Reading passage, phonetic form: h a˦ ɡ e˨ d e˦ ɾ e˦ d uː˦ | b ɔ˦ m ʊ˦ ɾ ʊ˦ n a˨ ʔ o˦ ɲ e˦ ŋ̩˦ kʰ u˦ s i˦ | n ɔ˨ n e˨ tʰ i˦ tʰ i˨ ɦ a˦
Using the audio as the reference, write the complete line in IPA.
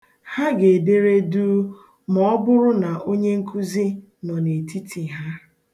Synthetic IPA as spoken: h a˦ ɡ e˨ d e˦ ɾ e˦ d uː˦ | m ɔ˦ b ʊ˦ ɾ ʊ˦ n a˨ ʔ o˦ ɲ e˦ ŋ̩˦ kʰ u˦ z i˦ | n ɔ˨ n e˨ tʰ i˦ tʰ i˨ ɦ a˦